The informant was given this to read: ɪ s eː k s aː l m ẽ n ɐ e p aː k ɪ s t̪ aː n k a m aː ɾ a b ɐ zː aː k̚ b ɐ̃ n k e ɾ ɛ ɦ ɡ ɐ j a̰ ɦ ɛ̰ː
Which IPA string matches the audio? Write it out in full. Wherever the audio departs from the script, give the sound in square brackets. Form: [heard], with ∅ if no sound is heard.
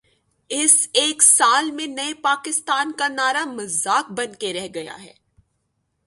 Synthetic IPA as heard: ɪ s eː k s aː l m ẽ n ɐ e p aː k ɪ s t̪ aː n k a [n] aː ɾ a [m] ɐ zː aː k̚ b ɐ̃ n k e ɾ ɛ ɦ ɡ ɐ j a̰ ɦ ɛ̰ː